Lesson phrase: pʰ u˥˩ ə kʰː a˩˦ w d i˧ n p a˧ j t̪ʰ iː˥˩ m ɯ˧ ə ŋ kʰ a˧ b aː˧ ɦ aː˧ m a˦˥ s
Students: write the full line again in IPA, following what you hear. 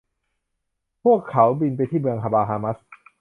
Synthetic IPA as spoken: pʰ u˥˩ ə kʰː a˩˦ w b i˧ n p a˧ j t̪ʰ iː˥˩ m ɯ˧ ə ŋ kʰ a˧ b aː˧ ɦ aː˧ m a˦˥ s